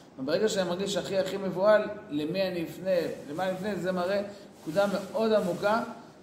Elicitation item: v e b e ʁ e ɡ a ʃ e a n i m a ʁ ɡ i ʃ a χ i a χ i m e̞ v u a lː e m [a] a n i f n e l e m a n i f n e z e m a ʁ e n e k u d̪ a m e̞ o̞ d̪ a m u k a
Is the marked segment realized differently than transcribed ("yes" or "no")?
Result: yes